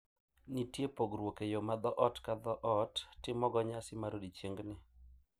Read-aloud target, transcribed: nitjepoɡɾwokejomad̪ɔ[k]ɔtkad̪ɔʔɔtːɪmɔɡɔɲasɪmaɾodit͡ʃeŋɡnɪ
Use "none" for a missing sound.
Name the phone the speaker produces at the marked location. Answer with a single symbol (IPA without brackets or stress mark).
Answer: ʔ